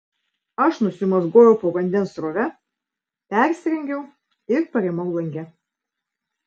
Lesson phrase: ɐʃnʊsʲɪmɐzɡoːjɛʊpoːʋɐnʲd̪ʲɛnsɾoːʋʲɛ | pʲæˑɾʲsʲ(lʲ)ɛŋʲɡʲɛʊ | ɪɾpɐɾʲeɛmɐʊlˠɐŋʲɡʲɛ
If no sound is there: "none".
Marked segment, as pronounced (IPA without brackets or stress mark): ɾʲ